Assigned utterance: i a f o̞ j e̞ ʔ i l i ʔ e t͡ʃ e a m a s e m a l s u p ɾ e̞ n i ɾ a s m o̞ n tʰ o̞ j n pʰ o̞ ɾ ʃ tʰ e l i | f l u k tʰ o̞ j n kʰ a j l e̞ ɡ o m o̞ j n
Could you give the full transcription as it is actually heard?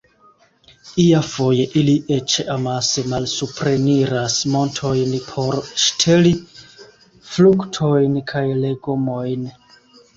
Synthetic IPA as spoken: i a f o̞ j e̞ ʔ i l i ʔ e t͡ʃ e a m a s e m a l s u p ɾ e̞ n i ɾ a s m o̞ n tʰ o̞ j n pʰ o̞ ɾ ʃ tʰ e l i | f l u k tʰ o̞ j n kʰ a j l e̞ ɡ o m o̞ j n